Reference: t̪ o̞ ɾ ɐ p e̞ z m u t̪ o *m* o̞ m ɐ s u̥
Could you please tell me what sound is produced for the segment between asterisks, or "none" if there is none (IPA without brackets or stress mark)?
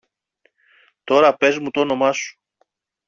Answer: n